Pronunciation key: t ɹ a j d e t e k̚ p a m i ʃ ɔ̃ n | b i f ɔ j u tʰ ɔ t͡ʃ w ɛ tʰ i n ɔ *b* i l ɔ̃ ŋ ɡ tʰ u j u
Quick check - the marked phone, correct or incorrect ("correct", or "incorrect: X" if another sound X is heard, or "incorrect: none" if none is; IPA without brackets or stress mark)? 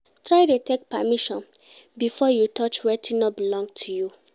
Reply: correct